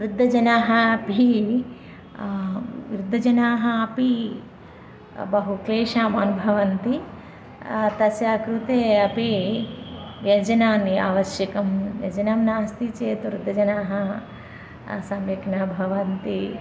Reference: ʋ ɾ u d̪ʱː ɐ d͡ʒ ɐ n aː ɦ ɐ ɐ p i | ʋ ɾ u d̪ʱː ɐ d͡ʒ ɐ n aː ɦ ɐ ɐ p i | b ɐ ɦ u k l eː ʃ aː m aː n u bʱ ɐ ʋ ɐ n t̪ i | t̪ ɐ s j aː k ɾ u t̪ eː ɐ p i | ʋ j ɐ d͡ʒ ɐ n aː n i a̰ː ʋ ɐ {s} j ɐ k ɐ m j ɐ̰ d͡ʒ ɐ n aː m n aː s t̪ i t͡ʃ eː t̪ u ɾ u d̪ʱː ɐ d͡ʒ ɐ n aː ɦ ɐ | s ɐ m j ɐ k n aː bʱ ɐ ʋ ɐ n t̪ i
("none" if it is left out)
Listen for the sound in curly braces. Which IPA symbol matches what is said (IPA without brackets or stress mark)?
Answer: ʃ